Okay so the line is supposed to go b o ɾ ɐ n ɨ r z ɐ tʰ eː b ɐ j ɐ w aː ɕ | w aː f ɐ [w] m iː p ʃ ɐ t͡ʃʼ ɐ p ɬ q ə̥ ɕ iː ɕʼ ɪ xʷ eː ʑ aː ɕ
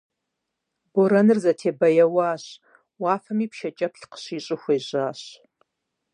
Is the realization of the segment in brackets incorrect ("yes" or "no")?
yes